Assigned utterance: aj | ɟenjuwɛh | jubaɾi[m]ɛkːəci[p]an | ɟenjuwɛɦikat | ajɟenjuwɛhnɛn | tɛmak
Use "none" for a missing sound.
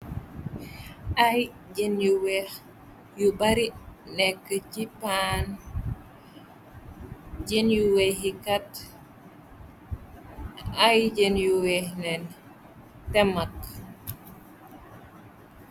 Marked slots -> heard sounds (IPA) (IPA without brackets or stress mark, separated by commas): n, p